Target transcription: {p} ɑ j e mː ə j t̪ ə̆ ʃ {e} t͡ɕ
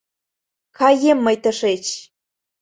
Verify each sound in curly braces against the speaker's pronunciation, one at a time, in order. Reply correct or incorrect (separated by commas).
incorrect, correct